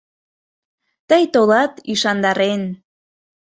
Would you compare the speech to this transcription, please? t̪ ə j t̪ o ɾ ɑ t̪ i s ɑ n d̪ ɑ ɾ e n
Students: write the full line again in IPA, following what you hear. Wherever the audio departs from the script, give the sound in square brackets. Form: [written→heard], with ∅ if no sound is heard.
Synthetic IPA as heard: t̪ ə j t̪ o [ɾ→l] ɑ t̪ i [s→ʃ] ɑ n d̪ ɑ ɾ e n